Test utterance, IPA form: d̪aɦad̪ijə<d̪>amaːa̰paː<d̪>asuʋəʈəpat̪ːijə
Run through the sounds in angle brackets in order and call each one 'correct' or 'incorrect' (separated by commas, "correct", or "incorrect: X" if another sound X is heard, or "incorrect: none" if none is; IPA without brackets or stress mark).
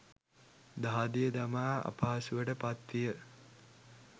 correct, incorrect: none